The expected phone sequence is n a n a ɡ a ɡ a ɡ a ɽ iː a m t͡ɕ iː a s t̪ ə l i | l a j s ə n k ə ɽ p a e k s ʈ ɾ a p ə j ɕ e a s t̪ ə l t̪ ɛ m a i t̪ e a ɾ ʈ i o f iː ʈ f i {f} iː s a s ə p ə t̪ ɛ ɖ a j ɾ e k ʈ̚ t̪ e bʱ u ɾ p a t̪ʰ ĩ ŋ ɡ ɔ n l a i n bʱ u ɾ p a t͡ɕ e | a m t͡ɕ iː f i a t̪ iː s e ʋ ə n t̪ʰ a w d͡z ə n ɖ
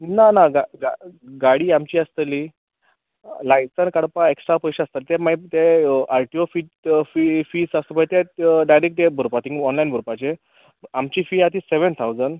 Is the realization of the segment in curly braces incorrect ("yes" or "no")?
no